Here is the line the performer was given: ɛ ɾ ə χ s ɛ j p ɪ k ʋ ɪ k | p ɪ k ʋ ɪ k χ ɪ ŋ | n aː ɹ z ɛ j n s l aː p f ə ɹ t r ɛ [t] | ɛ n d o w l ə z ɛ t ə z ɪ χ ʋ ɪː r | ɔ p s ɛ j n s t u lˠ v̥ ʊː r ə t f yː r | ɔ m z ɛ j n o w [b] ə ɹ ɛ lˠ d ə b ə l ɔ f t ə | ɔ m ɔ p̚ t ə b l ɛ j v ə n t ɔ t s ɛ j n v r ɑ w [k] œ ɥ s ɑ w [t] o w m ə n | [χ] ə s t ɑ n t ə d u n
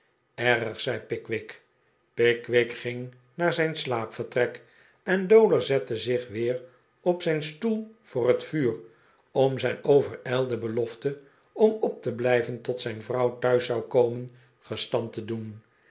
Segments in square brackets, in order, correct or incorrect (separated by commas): incorrect, incorrect, incorrect, incorrect, correct